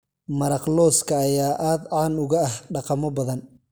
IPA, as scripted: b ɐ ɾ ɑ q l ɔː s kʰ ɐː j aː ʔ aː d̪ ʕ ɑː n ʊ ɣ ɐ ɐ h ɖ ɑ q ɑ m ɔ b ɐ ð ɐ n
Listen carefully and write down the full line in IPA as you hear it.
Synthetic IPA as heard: m ɐ ɾ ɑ q l ɔː s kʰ ɐː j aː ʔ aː d̪ ʕ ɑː n ʊ ɣ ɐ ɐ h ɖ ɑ q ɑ m ɔ b ɐ ð ɐ n